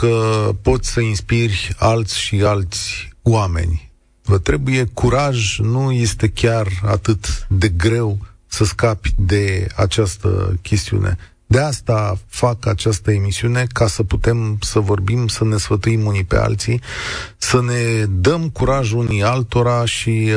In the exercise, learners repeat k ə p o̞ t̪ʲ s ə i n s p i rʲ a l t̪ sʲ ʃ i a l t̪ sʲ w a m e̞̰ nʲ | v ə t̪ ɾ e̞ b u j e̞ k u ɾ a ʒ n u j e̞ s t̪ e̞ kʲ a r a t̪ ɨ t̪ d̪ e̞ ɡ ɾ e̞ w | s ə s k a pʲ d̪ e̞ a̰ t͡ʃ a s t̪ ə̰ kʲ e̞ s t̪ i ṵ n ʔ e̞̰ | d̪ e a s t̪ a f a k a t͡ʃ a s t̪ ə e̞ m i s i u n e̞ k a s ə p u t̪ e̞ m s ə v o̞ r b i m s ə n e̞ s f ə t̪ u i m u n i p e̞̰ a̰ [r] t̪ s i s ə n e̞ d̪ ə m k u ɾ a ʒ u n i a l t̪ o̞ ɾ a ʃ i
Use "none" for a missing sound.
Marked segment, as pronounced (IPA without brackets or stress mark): l